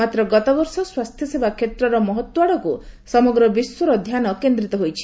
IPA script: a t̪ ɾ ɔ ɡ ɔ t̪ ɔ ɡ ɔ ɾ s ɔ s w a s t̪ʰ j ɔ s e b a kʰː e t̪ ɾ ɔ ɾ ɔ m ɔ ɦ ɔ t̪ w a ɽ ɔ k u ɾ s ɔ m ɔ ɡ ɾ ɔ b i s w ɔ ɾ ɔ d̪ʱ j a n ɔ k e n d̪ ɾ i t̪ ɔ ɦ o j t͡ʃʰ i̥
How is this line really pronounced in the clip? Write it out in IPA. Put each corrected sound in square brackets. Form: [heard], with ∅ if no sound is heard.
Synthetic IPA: a t̪ ɾ ɔ ɡ ɔ t̪ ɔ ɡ ɔ ɾ s ɔ s w a s t̪ʰ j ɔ s e b a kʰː e t̪ ɾ ɔ ɾ ɔ m ɔ ɦ ɔ t̪ w a ɽ ɔ k u [∅] s ɔ m ɔ ɡ ɾ ɔ b i s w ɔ ɾ ɔ d̪ʱ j a n ɔ k e n d̪ ɾ i t̪ ɔ ɦ o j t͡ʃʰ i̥